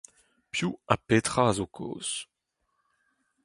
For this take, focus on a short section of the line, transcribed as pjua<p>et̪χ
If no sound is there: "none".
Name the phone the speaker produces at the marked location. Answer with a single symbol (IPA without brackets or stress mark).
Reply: p